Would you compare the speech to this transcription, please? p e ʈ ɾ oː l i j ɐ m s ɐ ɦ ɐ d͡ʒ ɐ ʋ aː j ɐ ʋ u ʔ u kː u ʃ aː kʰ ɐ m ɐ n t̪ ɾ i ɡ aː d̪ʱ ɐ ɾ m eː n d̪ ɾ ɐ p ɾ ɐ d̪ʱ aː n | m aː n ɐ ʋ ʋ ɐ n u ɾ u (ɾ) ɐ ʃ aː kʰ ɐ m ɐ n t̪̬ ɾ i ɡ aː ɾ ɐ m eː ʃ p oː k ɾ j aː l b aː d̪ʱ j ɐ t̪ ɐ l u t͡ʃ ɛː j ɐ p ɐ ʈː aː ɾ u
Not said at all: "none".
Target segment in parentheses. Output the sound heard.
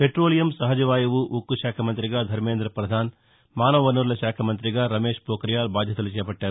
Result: l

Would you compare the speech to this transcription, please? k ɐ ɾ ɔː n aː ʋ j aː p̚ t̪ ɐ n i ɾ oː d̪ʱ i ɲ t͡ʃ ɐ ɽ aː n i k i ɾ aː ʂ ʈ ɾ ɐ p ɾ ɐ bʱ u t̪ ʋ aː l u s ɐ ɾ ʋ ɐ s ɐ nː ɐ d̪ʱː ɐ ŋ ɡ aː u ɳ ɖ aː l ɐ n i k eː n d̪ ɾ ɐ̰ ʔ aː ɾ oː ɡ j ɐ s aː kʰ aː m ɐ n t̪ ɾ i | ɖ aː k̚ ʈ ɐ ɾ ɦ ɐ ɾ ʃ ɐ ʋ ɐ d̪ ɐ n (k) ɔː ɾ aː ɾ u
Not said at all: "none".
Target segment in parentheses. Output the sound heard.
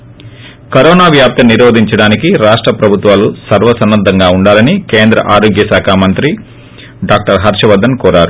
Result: k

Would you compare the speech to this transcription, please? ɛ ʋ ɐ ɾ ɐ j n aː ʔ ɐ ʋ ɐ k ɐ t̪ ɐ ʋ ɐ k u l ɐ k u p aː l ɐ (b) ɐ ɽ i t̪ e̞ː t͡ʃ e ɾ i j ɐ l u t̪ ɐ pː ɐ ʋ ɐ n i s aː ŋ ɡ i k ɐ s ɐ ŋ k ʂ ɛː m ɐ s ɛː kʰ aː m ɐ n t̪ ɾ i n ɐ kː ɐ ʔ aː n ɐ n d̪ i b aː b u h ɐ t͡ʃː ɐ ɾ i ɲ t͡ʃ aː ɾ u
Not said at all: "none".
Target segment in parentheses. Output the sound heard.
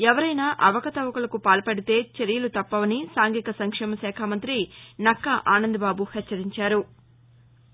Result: p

